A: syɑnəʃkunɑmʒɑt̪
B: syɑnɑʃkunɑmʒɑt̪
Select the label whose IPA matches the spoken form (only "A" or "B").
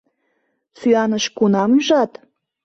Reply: A